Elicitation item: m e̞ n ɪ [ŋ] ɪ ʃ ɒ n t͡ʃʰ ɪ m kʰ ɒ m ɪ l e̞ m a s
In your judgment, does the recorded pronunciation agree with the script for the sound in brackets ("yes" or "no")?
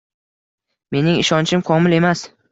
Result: yes